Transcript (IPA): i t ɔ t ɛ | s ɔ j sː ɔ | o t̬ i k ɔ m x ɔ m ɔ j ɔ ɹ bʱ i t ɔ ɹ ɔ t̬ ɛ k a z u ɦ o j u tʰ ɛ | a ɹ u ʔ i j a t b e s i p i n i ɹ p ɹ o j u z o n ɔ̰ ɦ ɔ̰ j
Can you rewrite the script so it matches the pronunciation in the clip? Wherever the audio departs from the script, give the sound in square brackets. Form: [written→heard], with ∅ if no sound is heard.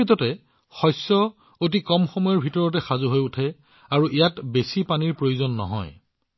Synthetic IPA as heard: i t ɔ t ɛ | [s→x] ɔ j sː ɔ | o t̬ i k ɔ m x ɔ m ɔ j ɔ ɹ bʱ i t ɔ ɹ ɔ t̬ ɛ [k→x] a z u ɦ o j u tʰ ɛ | a ɹ u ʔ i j a t b e s i p [i→a] n i ɹ p ɹ o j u z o [n→nː] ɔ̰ ɦ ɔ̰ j